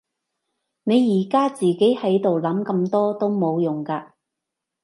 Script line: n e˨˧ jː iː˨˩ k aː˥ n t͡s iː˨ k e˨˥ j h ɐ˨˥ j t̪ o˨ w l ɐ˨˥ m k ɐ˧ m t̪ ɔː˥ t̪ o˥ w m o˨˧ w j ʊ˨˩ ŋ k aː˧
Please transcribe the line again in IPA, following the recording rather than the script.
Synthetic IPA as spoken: n e˨˧ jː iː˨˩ k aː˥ t͡s iː˨ k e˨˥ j h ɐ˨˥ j t̪ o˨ w l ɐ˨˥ m k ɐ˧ m t̪ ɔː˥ t̪ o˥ w m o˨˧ w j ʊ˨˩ ŋ k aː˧